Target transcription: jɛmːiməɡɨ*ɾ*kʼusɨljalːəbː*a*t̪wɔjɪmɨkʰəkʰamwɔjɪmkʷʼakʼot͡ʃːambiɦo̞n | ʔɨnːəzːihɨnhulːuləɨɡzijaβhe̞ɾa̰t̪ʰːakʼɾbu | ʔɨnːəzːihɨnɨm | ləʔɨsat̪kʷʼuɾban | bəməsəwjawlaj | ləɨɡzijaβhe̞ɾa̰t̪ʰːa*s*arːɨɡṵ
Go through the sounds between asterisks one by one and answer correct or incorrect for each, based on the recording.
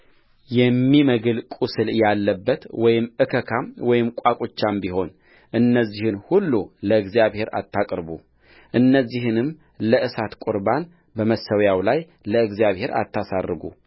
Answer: incorrect: l, incorrect: ə, correct

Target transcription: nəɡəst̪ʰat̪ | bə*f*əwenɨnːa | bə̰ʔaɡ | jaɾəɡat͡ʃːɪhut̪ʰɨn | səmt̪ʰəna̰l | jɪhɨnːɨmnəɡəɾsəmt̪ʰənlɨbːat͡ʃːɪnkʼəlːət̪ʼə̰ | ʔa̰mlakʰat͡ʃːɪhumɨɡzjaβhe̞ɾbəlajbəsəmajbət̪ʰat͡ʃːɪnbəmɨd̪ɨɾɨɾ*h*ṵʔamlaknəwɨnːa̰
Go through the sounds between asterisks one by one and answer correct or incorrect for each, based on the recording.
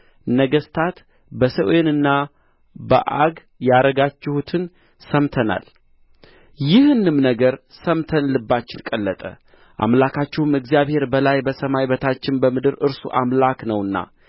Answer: incorrect: s, incorrect: s

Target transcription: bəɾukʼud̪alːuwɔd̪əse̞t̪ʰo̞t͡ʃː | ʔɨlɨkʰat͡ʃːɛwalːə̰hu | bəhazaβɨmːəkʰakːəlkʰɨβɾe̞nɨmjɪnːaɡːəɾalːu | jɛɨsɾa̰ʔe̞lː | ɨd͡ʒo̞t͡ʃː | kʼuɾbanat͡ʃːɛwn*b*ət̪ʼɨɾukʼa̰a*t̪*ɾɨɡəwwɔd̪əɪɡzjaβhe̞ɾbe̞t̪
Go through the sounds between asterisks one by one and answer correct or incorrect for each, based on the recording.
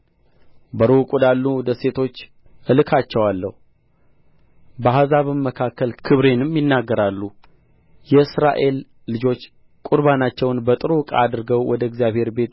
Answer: correct, incorrect: d̪

